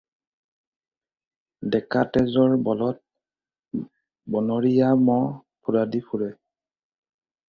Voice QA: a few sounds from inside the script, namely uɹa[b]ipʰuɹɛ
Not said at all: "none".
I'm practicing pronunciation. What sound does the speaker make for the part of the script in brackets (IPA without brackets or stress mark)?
d